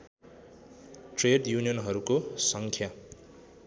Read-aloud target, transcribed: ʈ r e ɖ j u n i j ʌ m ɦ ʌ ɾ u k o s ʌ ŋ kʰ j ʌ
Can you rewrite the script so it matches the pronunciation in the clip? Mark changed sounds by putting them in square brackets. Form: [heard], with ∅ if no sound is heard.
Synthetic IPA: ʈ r e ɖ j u n i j ʌ [n] ɦ ʌ ɾ u k o s ʌ ŋ kʰ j [a]